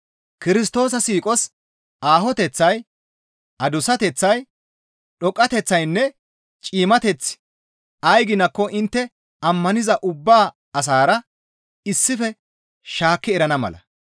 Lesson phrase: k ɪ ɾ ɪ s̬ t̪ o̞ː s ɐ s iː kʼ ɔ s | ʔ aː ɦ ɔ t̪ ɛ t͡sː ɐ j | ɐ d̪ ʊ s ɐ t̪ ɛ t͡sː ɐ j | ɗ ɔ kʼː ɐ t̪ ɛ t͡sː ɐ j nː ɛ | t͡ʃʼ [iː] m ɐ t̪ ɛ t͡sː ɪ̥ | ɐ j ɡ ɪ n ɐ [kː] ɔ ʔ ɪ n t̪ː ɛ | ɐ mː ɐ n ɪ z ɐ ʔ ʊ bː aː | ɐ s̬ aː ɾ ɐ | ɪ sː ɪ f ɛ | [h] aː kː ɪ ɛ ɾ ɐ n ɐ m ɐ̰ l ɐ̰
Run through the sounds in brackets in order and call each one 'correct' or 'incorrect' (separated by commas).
correct, correct, incorrect